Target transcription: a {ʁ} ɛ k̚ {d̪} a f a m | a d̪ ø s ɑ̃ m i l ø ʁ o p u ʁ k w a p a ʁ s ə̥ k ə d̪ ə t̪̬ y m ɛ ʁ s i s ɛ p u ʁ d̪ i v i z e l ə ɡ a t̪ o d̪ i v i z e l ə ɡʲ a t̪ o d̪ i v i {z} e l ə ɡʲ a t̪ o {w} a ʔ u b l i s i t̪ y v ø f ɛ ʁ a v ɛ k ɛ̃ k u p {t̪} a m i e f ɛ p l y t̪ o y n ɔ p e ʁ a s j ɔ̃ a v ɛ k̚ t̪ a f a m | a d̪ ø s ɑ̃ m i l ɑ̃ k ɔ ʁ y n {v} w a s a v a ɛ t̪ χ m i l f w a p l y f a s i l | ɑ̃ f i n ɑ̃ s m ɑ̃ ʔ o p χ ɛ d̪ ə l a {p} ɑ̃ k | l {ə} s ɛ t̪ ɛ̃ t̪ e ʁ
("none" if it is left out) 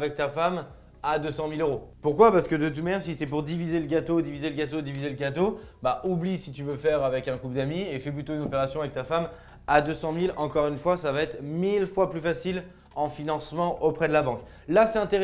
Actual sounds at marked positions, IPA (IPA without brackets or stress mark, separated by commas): v, t̪, z, b, d̪, f, b, a